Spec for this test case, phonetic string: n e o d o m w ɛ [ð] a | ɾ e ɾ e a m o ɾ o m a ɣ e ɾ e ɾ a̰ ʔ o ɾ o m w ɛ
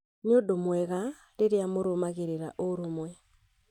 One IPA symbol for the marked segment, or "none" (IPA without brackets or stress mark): ɣ